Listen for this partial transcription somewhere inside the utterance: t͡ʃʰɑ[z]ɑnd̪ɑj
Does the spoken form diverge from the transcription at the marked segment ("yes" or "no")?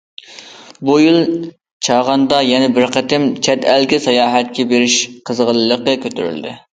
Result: yes